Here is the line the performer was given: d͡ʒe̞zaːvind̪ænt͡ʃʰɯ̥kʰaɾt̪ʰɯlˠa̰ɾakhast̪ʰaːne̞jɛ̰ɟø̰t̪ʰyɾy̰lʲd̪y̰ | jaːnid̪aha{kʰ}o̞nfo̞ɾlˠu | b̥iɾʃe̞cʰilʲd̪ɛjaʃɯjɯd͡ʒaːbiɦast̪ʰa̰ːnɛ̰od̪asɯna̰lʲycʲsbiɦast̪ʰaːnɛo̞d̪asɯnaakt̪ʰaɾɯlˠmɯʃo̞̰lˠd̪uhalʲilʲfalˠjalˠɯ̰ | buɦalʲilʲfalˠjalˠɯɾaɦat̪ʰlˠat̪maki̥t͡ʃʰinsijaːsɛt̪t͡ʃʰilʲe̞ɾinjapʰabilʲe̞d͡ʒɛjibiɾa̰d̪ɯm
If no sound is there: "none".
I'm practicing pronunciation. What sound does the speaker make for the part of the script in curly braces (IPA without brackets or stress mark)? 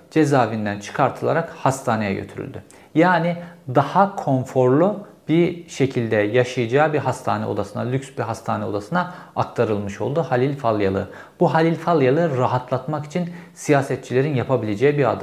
kʰ